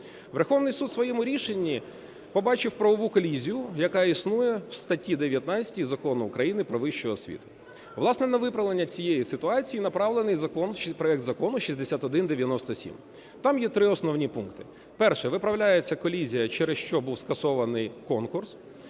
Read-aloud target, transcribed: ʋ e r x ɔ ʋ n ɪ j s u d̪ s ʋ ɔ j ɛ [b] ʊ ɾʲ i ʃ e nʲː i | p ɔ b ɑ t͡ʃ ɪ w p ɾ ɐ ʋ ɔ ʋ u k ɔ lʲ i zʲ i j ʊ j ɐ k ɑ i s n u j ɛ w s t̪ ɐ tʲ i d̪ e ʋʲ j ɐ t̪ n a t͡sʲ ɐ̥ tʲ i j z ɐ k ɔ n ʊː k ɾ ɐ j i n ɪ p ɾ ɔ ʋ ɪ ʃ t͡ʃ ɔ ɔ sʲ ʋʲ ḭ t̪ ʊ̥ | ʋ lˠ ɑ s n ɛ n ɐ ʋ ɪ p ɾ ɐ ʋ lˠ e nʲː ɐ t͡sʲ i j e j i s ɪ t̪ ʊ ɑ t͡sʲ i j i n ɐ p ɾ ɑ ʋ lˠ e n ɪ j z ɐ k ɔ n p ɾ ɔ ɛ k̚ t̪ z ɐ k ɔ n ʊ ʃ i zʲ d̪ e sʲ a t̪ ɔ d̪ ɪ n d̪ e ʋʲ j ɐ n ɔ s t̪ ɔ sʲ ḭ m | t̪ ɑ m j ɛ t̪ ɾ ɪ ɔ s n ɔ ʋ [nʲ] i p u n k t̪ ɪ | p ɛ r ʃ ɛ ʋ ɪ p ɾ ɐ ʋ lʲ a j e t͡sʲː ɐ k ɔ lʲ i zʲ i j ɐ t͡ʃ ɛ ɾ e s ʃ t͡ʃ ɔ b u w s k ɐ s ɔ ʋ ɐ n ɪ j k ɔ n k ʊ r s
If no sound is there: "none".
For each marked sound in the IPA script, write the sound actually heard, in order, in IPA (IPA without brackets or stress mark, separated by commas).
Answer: m, nʲ